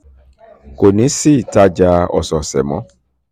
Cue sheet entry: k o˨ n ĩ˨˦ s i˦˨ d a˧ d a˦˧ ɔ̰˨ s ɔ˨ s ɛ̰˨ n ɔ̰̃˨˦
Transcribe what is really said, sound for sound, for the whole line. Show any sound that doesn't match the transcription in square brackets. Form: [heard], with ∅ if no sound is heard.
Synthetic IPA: k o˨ n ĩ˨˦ s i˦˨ [t] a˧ [d͡ʒ] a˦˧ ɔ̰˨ s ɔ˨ s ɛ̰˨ [m] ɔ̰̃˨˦